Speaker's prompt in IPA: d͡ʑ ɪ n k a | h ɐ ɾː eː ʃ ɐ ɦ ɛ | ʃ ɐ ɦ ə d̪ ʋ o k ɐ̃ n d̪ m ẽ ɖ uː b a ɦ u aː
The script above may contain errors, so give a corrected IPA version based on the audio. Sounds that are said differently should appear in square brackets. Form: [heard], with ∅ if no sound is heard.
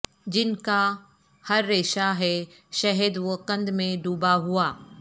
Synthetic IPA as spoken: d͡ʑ ɪ n k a | h ɐ ɾː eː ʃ [a] ɦ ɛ | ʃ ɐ ɦ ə d̪ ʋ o k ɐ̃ n d̪ m ẽ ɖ uː b a ɦ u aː